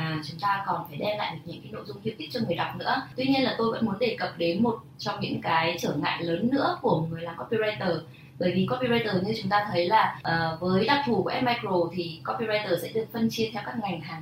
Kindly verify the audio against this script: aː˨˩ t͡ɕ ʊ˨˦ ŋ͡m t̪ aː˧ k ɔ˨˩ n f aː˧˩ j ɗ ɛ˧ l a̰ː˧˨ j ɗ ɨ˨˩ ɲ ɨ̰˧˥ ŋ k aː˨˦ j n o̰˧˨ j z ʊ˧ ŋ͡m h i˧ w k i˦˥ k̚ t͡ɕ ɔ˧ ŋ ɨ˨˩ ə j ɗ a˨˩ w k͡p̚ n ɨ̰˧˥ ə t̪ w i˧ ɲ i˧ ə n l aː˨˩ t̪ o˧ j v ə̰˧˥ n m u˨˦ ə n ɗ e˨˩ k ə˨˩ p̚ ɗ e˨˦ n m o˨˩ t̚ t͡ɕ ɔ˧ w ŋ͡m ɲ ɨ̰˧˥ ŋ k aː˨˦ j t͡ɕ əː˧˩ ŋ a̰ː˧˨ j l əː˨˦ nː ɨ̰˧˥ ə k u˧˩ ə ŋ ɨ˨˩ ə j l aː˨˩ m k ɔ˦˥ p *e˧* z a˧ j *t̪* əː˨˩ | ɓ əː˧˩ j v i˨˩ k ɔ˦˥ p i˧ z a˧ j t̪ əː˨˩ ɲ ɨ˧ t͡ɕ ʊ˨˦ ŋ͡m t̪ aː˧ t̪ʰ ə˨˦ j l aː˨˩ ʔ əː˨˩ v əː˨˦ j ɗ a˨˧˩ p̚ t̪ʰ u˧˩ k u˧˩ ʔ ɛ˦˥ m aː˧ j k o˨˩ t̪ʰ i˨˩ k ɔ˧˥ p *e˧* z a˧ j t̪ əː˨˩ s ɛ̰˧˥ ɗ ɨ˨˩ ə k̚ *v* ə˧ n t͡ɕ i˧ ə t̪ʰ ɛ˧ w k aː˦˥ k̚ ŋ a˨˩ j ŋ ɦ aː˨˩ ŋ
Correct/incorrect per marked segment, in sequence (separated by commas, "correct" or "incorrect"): incorrect, correct, incorrect, incorrect